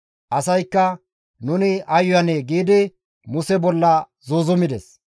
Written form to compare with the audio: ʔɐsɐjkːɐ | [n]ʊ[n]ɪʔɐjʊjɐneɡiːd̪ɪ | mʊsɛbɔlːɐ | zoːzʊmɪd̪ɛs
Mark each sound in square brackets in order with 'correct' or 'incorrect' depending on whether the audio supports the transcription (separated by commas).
correct, correct